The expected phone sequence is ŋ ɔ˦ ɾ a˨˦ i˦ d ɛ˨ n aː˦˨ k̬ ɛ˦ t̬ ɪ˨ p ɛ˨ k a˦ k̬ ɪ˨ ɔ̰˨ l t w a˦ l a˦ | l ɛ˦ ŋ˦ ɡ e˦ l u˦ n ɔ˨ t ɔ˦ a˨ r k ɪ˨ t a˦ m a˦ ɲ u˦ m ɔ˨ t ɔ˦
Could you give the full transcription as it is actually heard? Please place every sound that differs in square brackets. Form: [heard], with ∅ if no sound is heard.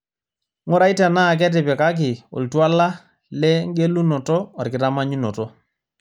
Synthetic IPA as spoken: ŋ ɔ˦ ɾ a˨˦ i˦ [t] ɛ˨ n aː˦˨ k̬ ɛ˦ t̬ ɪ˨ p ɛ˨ k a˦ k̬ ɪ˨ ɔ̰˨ l t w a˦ l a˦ | l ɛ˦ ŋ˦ ɡ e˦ l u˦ n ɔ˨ t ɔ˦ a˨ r k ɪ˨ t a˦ m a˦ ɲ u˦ [n] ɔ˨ t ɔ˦